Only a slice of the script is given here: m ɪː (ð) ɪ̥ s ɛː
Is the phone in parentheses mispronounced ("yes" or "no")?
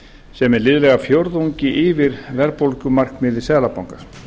no